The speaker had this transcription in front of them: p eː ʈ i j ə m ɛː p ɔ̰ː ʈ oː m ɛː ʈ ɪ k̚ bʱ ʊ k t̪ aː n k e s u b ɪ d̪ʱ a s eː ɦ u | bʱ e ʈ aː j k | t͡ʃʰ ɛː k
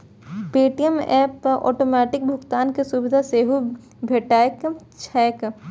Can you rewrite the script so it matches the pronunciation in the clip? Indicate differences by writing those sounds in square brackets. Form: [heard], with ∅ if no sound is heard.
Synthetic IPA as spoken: p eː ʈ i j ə m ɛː p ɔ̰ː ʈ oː m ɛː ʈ ɪ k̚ bʱ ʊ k t̪ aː n k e s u b ɪ d̪ʱ a s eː ɦ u | bʱ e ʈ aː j k | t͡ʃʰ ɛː k